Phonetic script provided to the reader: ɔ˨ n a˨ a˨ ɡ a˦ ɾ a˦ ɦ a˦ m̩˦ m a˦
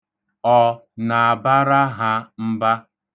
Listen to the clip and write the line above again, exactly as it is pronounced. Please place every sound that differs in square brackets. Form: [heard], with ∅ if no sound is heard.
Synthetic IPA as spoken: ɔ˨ n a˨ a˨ [b] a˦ ɾ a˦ ɦ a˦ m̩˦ [b] a˦